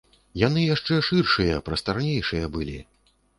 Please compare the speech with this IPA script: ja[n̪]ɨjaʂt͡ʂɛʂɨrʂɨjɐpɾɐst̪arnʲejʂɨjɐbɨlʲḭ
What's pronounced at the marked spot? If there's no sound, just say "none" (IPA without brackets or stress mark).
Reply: n̪